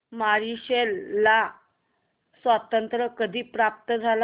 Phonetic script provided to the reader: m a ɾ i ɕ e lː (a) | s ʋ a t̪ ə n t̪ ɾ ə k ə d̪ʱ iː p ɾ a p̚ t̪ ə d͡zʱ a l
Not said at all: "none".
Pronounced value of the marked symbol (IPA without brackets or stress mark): a